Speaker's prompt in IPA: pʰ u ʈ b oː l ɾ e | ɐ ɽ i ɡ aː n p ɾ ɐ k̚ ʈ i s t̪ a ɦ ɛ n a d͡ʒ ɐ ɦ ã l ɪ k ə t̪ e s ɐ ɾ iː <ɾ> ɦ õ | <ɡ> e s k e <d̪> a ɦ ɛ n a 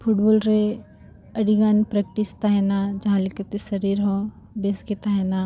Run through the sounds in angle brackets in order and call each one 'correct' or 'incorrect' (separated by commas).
correct, incorrect, incorrect